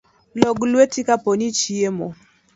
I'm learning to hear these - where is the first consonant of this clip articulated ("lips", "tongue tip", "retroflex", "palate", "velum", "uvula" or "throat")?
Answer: tongue tip